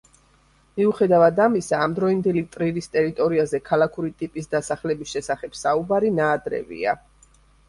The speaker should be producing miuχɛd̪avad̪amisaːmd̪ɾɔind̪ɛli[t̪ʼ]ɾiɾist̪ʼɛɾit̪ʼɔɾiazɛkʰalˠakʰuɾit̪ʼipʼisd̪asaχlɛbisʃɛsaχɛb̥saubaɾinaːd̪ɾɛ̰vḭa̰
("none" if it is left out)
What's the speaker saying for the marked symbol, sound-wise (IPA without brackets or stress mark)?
t̪ʼ